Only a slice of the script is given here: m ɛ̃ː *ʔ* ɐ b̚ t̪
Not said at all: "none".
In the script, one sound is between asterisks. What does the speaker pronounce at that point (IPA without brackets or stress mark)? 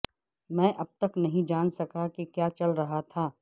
ʔ